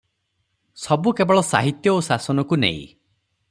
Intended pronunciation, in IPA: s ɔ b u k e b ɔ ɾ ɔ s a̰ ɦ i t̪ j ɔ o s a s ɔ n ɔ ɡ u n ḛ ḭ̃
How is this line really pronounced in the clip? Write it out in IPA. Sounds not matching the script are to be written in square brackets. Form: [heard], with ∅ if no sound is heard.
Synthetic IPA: s ɔ b u k e b ɔ [ɭ] ɔ s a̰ ɦ i t̪ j ɔ o s a s ɔ n ɔ [k] u n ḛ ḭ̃